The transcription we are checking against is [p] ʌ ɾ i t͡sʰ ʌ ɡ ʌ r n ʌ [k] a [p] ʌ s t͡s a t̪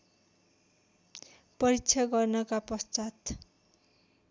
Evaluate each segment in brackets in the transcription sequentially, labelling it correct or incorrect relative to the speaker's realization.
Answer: correct, correct, correct

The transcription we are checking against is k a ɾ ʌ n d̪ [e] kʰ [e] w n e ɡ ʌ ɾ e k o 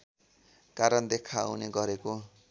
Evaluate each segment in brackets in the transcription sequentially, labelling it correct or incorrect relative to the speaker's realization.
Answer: correct, incorrect: a

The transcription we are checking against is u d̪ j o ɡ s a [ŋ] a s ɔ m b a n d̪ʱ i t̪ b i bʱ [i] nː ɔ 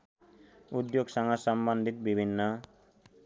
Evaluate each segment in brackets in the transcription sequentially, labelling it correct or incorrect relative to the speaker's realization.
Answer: correct, correct

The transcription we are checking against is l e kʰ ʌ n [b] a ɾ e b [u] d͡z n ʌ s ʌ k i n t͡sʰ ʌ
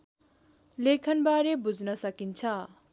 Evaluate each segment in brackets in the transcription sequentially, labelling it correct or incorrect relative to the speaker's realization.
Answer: correct, correct

